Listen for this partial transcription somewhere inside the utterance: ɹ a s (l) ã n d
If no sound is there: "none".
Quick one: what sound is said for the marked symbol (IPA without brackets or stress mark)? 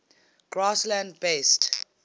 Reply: l